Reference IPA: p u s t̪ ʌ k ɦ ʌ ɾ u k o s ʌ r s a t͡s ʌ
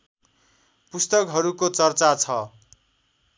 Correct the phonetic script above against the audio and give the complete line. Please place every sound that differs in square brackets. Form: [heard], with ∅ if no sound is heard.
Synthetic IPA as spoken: p u s t̪ ʌ k ɦ ʌ ɾ u k o [t͡s] ʌ r [t͡s] a [t͡sʰ] ʌ